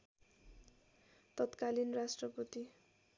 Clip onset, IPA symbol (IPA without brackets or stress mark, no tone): t̪